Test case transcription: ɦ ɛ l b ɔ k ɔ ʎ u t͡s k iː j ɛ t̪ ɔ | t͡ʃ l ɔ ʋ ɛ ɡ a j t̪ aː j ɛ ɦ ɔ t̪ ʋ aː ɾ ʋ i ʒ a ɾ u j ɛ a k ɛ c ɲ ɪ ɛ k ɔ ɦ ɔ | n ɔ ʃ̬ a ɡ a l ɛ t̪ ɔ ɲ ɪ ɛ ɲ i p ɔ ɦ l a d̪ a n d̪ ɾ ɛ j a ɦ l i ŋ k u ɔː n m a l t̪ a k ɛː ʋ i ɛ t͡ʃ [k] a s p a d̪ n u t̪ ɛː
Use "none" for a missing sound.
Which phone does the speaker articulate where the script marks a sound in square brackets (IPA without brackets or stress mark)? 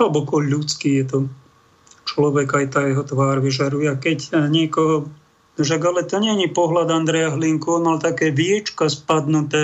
k